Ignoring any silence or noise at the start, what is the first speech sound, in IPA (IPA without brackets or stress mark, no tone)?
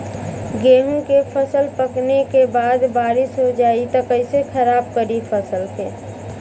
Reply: ɡ